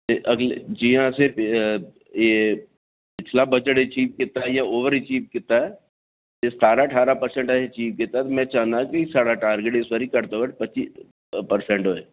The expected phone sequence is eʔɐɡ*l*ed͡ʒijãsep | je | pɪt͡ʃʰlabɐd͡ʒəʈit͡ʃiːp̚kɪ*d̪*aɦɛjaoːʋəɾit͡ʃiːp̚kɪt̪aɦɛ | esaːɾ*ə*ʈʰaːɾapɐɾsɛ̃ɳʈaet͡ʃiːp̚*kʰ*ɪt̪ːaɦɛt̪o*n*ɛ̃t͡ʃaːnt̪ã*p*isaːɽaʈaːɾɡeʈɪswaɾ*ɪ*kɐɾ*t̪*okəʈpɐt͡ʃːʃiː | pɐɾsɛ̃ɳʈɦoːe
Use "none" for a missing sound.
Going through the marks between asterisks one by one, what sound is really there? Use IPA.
l, t̪, a, k, m, k, i, t̪

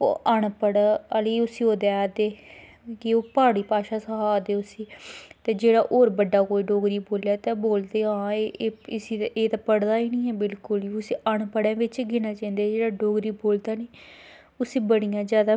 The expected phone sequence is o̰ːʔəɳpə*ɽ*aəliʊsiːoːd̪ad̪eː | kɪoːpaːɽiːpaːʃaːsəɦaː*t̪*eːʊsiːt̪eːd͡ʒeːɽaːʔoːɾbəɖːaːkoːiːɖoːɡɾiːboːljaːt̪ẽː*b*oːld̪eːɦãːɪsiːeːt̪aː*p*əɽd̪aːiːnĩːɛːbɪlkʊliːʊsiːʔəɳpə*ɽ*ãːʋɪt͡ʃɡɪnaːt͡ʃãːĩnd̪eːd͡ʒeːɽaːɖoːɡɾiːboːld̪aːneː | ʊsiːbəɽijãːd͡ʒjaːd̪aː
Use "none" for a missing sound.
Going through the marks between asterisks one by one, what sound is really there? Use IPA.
ɽ, d̪, b, p, ɽ

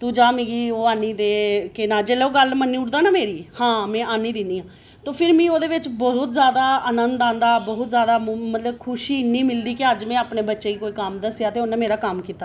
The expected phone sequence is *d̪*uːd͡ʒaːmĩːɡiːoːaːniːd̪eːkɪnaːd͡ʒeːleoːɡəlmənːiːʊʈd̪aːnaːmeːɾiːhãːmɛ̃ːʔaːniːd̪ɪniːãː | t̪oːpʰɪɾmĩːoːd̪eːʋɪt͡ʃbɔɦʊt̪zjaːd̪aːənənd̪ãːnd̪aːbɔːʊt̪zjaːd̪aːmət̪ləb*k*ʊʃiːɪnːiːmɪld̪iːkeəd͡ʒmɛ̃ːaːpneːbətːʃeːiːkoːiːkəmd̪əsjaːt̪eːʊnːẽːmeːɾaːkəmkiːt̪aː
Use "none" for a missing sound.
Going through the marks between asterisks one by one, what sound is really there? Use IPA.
t̪, kʰ

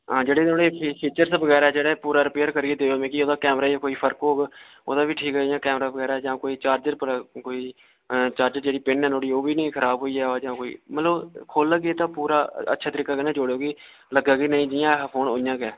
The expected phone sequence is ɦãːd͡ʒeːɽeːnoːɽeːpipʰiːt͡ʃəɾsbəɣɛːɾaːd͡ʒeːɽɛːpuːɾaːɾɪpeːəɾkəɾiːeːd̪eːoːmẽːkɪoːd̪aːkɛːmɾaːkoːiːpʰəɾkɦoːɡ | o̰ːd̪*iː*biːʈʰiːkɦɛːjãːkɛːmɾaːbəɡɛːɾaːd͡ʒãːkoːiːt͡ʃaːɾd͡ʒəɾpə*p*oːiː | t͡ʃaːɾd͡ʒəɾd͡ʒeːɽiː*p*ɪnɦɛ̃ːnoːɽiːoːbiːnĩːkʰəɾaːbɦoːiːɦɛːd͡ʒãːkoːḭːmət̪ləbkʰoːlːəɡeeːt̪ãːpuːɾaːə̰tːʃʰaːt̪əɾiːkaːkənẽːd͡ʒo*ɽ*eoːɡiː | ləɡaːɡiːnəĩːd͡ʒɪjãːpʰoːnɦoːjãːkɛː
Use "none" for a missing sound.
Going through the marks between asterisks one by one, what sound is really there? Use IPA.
aː, k, p, ɽ

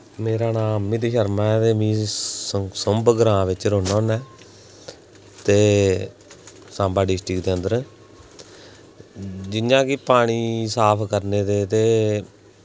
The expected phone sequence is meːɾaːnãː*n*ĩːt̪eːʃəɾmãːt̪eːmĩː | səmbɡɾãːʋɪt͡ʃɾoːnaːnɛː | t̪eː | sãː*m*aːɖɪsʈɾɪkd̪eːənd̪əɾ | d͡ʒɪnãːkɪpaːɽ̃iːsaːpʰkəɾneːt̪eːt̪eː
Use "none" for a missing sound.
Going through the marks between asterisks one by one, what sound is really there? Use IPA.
m, b

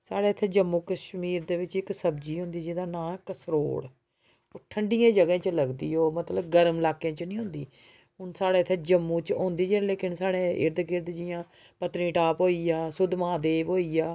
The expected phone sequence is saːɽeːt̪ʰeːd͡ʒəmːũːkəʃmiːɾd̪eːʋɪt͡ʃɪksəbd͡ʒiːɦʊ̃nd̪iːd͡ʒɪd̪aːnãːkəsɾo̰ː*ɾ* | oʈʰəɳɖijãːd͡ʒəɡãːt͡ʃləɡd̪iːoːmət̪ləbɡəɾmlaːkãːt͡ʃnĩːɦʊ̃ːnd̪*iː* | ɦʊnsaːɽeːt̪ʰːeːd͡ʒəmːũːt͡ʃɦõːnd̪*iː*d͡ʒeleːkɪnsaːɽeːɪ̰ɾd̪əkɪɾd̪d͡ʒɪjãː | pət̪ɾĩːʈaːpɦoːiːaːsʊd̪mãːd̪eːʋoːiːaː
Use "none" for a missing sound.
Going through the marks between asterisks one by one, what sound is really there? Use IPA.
ɽ, iː, iː

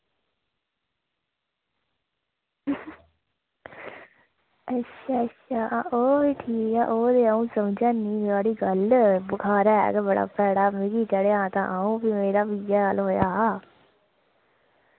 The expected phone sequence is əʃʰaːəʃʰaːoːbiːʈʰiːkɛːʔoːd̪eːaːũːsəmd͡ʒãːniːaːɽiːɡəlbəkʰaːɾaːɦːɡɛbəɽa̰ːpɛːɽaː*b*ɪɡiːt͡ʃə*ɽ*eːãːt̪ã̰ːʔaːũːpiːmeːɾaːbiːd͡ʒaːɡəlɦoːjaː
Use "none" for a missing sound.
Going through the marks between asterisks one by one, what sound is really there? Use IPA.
m, ɽ

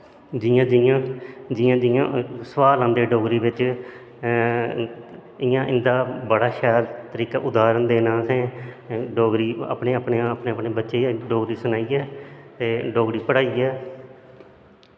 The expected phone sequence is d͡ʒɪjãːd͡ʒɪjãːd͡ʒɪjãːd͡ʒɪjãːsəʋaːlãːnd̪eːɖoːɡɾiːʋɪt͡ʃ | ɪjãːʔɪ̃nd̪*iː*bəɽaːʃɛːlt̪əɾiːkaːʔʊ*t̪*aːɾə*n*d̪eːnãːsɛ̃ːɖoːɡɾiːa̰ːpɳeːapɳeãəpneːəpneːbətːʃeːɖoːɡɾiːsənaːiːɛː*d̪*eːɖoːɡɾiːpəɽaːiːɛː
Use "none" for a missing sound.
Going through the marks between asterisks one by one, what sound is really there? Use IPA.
aː, d̪, n, t̪

